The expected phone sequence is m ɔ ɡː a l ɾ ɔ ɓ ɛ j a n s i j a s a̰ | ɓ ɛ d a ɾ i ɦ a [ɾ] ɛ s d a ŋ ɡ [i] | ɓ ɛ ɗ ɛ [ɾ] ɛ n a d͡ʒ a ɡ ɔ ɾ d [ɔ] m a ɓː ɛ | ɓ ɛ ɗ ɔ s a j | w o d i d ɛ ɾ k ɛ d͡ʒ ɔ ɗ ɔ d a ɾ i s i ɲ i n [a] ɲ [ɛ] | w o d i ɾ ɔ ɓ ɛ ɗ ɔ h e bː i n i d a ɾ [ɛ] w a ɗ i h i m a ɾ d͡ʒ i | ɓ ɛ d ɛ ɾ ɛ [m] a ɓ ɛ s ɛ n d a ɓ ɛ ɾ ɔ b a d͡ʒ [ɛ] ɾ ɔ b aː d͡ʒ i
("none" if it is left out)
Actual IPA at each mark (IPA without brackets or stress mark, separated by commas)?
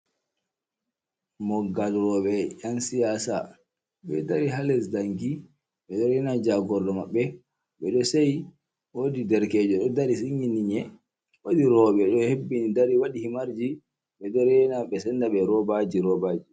l, i, ɾ, ɔ, i, ɛ, i, n, i